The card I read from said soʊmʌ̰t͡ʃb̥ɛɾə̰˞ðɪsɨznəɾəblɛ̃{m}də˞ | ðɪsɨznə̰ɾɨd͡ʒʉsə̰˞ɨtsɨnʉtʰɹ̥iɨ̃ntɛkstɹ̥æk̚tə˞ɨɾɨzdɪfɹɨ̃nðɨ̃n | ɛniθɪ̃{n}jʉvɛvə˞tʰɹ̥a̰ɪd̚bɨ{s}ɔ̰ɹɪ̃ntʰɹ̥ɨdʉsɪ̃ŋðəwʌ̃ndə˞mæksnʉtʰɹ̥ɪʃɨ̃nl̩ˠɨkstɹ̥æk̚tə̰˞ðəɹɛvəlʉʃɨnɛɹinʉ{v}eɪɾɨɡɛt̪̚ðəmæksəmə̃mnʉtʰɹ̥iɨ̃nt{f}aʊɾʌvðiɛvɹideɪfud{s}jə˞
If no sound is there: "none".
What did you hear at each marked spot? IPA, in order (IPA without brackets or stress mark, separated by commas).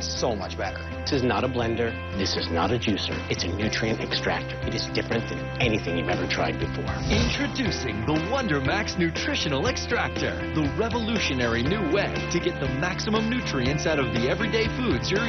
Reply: n, ŋ, f, w, s, z